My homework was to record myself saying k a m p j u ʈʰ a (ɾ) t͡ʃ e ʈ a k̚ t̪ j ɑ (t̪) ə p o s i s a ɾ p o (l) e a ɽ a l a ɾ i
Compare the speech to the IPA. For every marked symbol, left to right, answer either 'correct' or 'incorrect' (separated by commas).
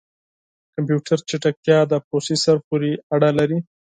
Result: correct, incorrect, incorrect